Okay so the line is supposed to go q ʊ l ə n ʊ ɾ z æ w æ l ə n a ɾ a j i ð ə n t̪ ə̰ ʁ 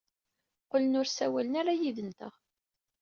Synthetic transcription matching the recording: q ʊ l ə n ʊ ɾ s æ w æ l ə n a ɾ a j i ð ə n t̪ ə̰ ʁ